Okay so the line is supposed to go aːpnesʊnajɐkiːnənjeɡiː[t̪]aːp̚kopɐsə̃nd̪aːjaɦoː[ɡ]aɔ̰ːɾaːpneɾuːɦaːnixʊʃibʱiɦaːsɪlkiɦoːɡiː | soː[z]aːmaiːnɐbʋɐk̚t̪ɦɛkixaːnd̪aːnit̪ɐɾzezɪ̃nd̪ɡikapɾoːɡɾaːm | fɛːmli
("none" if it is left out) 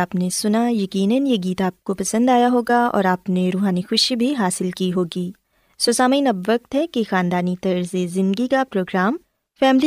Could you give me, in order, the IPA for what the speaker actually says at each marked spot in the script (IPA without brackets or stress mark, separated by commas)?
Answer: t̪, ɡ, s